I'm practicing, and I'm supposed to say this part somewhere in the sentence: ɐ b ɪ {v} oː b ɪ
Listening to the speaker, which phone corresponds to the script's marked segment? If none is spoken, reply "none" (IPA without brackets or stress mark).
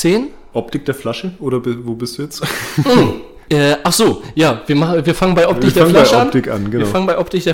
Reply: v